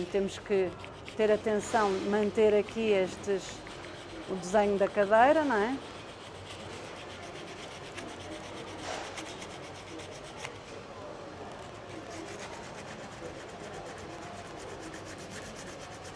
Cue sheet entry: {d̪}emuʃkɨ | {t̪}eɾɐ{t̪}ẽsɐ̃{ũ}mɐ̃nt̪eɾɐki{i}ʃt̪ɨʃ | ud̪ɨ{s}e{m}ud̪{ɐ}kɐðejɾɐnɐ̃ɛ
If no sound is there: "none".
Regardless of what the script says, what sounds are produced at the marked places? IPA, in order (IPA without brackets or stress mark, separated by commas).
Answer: t̪, t̪, t̪, w̃, e, z, ɲ, ɐ